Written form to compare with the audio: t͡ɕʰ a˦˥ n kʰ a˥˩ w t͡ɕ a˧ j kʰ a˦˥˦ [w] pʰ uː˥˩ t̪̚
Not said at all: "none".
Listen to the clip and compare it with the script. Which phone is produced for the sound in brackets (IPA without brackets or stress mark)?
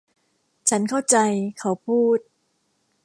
w